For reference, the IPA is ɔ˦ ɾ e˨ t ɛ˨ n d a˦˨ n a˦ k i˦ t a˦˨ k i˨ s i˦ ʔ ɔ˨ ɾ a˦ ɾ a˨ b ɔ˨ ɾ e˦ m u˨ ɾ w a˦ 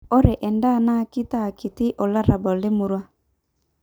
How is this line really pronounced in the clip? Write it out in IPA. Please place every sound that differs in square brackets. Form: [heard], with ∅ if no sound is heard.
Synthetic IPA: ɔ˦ ɾ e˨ [ʔ] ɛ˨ n d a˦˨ n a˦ k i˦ t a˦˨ k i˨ [t] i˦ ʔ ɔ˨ [l] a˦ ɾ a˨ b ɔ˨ [l] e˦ m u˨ ɾ w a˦